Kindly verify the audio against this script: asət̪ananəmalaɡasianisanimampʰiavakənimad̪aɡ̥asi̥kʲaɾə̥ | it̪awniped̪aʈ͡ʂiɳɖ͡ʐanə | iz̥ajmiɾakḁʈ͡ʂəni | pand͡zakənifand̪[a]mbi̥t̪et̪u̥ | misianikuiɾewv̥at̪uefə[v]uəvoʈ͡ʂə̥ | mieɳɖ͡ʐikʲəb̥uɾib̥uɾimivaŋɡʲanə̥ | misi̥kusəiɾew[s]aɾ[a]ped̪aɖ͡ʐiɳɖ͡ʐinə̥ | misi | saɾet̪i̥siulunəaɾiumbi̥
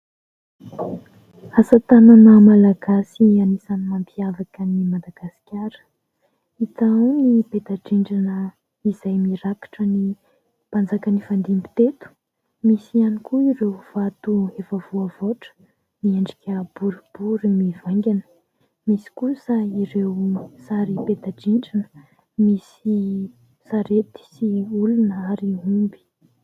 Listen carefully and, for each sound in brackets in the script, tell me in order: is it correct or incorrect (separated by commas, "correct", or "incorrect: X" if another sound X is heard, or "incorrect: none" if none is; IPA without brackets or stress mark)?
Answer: incorrect: i, correct, correct, incorrect: i